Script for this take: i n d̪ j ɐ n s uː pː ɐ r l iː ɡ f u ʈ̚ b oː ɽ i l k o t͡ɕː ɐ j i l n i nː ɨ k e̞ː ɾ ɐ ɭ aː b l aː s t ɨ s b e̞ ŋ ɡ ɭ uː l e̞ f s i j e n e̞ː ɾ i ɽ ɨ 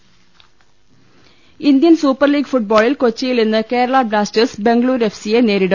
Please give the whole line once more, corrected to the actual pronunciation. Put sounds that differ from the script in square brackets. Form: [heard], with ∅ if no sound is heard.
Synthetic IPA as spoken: i n d̪ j ɐ n s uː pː ɐ r l iː ɡ f u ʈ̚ b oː [ɭ] i l k o t͡ɕː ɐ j i l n i nː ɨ k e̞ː ɾ ɐ ɭ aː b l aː s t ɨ s b e̞ ŋ ɡ ɭ uː [ɾ] e̞ f s i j e n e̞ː ɾ i ɽ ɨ